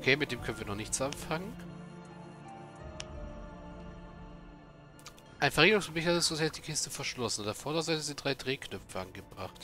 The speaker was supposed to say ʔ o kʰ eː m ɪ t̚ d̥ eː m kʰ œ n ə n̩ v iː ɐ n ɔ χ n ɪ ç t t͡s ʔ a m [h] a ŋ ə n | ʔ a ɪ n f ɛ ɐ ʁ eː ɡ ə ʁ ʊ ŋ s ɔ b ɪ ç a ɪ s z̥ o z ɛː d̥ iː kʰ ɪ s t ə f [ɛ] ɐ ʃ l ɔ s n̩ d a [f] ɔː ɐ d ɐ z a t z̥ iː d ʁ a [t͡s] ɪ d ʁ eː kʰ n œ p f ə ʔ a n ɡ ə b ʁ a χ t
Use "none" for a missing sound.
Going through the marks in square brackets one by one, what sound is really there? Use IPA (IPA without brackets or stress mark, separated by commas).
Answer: f, ɛ, f, none